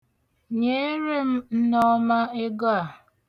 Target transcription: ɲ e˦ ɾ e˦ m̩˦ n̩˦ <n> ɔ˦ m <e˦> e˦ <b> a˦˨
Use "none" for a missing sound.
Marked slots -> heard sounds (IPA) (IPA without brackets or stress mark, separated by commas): n, a˦, ɡ